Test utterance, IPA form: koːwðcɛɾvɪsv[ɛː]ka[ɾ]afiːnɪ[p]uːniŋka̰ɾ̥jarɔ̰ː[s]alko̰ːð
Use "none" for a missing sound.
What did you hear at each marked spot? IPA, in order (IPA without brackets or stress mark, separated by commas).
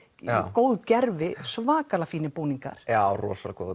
aː, l, p, s